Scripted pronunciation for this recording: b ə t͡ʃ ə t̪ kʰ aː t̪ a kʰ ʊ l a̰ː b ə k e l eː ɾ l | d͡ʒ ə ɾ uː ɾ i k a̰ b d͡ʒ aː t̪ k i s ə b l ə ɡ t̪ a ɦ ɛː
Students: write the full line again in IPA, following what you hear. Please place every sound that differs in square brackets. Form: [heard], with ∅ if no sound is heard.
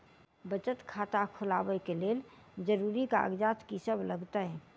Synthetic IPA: b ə t͡ʃ ə t̪ kʰ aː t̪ a kʰ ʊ l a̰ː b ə k e l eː [∅] l | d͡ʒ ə ɾ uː ɾ i k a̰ [ɡ] d͡ʒ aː t̪ k i s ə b l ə ɡ t̪ a ɦ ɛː